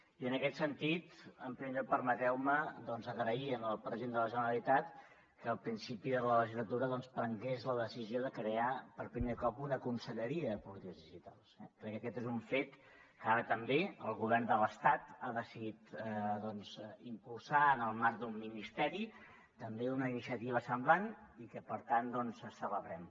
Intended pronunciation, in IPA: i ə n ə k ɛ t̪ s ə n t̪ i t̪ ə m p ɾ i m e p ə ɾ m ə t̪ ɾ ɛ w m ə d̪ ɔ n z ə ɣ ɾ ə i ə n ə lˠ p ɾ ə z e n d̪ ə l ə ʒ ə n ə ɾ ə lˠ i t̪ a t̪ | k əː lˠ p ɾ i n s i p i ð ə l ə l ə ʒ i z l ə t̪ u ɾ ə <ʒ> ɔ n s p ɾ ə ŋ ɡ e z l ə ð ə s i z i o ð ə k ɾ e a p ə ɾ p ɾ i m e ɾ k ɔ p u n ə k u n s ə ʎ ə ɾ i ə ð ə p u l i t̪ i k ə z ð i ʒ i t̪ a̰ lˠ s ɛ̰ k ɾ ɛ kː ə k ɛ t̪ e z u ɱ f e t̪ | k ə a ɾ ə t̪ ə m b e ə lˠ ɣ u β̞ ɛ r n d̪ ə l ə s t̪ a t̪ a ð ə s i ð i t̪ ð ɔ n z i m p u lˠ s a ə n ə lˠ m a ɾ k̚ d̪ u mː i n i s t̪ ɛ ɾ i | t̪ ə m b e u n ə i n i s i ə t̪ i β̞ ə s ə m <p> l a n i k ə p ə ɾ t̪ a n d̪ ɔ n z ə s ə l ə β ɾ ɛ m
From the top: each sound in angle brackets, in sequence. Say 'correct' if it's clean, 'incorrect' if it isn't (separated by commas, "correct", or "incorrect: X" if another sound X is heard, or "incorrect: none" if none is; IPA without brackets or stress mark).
incorrect: ð, incorrect: b